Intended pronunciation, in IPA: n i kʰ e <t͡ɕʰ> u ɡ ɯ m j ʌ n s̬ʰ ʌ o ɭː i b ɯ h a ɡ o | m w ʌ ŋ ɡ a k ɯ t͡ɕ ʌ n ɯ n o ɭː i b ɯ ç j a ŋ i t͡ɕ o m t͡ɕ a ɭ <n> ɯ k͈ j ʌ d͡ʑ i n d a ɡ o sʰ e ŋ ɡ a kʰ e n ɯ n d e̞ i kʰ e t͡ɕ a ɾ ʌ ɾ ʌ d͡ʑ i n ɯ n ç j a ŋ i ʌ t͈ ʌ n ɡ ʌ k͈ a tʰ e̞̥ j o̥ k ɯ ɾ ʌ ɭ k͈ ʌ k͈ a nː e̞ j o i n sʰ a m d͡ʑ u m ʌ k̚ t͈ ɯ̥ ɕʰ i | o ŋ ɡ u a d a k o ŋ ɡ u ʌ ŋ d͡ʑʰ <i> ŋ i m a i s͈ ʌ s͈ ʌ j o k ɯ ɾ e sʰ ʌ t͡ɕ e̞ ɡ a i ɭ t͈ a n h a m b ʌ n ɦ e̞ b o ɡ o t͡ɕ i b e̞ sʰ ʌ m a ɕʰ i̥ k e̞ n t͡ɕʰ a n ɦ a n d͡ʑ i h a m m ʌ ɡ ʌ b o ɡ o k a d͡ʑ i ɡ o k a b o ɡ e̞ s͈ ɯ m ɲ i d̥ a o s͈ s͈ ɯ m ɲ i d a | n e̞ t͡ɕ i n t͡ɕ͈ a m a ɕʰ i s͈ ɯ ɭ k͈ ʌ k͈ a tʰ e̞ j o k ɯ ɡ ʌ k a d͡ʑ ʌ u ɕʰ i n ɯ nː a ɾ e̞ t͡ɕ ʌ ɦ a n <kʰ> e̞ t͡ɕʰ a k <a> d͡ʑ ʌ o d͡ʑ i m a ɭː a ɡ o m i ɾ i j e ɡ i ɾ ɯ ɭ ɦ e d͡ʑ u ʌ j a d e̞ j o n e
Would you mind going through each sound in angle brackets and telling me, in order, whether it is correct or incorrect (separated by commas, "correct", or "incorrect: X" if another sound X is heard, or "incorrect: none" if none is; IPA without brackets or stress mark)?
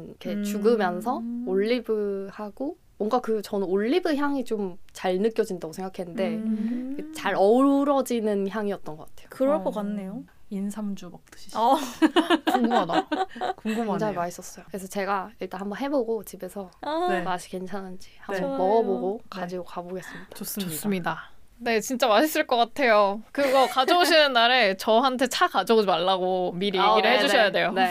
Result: incorrect: t͡ɕ, correct, incorrect: a, incorrect: tʰ, correct